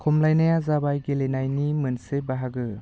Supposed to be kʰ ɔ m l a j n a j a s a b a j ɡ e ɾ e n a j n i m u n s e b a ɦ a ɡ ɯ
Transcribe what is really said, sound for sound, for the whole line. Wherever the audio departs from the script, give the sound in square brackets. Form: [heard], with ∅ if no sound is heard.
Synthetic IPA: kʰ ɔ m l a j n a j a [z] a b a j ɡ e [l] e n a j n i m [ɯ] n s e b a ɦ a ɡ ɯ